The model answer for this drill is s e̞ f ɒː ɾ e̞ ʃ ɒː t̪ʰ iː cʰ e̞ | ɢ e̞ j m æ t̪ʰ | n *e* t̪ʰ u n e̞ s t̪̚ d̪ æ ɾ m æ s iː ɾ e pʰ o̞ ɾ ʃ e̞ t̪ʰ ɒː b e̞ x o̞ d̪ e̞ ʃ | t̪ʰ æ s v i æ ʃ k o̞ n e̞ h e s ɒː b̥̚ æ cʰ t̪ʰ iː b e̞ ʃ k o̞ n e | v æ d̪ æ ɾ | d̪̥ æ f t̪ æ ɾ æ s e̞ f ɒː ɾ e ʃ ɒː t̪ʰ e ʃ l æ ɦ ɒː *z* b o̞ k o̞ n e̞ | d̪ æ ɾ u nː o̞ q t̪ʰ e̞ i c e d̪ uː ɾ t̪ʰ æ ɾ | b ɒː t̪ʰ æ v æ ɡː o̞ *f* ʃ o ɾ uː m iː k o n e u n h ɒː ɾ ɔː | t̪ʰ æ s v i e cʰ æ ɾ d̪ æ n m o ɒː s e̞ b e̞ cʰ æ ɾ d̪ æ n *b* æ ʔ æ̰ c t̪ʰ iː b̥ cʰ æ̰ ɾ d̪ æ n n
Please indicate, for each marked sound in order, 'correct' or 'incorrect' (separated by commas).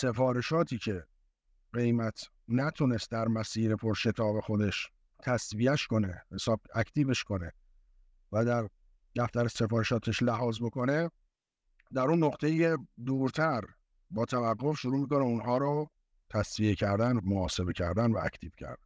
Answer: incorrect, correct, correct, incorrect